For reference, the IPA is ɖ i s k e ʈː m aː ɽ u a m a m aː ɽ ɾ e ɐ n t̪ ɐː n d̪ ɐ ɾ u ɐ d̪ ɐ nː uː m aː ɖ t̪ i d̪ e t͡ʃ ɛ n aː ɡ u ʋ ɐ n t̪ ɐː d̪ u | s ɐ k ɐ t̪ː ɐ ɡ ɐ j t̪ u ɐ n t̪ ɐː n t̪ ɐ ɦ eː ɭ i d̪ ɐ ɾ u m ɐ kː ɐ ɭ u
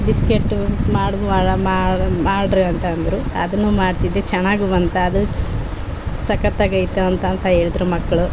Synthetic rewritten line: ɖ i s k e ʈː m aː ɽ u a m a m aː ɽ ɾ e ɐ n t̪ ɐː n d̪ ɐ ɾ u ɐ d̪ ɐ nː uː m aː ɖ t̪ i d̪ e t͡ʃ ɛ n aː ɡ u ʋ ɐ n t̪ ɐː d̪ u | s ɐ k ɐ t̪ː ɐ ɡ ɐ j t̪ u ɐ n t̪ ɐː n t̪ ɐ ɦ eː ɭ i d̪ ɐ ɾ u m ɐ kː ɐ ɭ u